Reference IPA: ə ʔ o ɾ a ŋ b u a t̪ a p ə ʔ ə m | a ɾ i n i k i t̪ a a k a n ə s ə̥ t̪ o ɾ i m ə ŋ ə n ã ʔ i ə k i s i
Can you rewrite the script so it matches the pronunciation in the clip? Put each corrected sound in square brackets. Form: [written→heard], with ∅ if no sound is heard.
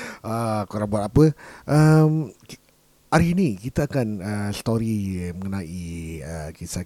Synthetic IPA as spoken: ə [ʔ→k] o ɾ a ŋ b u a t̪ a p ə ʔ ə m | a ɾ i n i k i t̪ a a k a n ə s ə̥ t̪ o ɾ i m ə ŋ ə n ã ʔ i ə k i s [i→a]